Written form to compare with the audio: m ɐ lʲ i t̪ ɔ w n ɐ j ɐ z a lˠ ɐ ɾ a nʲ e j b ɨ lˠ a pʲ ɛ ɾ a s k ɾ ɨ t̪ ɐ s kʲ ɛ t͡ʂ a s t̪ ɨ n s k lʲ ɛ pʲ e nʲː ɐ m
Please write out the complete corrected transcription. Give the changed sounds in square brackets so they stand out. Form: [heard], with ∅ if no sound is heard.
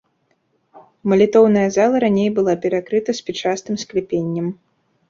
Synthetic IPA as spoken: m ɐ lʲ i t̪ ɔ w n ɐ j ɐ z a lˠ ɐ ɾ a nʲ e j b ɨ lˠ a pʲ ɛ ɾ a [∅] k ɾ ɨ t̪ ɐ s [pʲ] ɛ t͡ʂ a s t̪ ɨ [m] s k lʲ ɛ pʲ e nʲː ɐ m